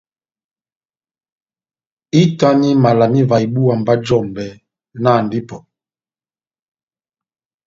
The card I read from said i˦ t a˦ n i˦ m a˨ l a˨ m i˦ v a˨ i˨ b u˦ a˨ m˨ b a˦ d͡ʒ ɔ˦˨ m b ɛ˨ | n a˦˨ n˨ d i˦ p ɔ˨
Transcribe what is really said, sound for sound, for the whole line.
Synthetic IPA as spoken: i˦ t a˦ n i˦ m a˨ l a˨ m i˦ v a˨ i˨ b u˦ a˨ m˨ b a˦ d͡ʒ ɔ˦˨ m b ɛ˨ | n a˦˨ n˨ d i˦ p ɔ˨

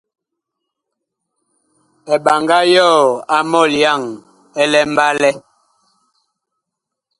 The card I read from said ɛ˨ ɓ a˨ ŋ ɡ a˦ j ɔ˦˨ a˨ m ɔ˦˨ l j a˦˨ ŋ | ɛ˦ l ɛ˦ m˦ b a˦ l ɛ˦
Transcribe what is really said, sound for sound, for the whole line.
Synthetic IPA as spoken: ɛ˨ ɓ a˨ ŋ ɡ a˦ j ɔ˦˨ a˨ m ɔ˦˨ l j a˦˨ ŋ | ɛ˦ l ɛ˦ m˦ b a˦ l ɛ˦

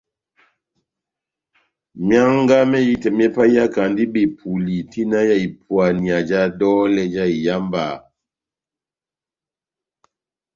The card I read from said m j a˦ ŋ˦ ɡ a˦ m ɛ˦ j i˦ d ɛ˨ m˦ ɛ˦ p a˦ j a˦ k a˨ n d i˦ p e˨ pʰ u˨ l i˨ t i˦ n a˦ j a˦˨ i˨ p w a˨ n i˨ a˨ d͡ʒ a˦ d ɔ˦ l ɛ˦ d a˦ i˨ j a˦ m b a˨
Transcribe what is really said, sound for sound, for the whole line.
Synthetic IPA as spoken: m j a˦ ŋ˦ ɡ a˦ m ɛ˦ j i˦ t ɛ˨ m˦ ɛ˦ p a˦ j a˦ k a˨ n d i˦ b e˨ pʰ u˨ l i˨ t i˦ n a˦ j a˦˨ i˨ p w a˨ n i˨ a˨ d͡ʒ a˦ d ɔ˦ l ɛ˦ d͡ʒ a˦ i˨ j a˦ m b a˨

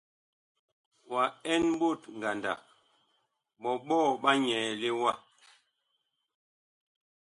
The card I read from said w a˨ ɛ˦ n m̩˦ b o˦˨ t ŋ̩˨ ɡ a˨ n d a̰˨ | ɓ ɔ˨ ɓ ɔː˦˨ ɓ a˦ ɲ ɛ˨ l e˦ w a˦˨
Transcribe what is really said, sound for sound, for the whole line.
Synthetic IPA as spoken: w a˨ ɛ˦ n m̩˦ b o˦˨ t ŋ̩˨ ɡ a˨ n d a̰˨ | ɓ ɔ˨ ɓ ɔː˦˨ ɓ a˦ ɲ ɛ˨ l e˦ w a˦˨

